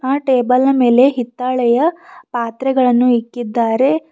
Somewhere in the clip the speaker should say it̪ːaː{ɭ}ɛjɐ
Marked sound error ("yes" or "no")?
no